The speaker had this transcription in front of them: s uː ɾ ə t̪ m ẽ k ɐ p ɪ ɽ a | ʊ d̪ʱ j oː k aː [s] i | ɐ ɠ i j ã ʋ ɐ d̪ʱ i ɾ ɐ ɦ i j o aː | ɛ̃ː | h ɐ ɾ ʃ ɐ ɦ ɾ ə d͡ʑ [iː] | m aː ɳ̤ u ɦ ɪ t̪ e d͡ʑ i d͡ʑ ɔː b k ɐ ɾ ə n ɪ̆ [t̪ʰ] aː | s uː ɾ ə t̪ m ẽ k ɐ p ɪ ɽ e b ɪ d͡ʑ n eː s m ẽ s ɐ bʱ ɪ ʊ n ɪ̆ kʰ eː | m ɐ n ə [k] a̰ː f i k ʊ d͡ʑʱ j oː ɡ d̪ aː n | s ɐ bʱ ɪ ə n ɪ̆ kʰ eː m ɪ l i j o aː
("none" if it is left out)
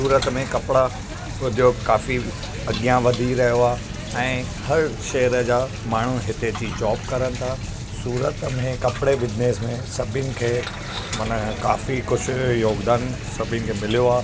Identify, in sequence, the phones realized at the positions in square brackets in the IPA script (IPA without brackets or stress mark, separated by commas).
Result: f, aː, t̪ʰ, k